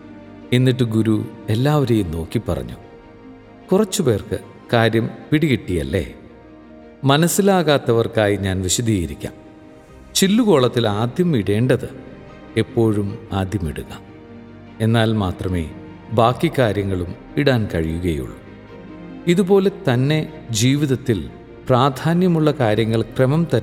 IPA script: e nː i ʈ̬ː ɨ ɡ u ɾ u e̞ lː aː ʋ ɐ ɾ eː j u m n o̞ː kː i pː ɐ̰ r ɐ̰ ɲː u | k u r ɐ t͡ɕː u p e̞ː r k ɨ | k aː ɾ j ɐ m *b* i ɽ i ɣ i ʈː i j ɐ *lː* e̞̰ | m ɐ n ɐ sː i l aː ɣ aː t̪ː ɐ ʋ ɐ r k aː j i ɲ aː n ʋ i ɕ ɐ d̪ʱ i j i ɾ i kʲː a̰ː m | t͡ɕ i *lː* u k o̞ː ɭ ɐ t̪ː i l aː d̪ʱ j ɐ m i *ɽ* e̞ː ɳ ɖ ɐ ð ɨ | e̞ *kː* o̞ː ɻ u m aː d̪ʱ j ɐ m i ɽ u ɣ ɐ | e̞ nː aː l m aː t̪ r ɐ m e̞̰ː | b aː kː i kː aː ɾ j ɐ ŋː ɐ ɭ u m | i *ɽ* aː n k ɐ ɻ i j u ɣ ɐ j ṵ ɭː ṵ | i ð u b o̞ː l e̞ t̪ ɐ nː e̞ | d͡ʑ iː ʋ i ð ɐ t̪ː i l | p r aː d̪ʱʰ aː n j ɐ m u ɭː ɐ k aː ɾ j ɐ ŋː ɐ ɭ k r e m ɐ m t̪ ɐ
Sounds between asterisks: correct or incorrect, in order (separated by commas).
incorrect, correct, correct, correct, incorrect, correct